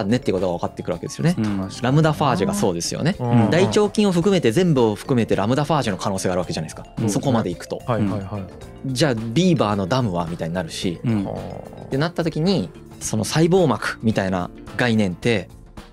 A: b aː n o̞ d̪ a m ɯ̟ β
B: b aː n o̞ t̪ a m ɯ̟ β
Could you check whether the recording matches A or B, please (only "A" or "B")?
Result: A